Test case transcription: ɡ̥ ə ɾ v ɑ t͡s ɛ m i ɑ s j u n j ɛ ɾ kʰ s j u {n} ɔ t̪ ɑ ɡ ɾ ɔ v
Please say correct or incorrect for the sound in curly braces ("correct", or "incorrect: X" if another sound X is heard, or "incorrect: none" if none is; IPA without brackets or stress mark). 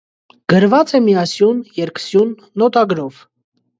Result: incorrect: nː